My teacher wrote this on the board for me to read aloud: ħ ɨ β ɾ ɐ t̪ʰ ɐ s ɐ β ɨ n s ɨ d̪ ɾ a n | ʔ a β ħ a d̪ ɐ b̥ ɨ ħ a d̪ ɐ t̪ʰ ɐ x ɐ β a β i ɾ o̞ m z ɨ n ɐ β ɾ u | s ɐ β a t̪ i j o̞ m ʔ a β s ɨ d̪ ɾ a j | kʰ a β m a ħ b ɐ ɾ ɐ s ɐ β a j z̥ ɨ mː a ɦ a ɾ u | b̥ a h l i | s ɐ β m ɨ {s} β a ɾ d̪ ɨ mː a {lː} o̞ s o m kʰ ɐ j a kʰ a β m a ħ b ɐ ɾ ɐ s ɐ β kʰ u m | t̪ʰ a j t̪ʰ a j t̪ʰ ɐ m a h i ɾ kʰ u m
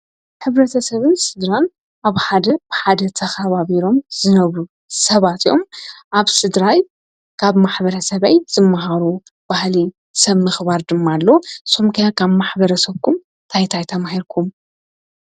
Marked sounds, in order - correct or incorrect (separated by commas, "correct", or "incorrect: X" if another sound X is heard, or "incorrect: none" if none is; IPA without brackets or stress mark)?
incorrect: x, correct